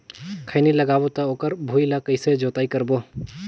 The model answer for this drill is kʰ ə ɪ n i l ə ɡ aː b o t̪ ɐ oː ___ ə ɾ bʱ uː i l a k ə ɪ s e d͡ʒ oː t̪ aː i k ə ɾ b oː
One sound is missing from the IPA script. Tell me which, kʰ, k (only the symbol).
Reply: k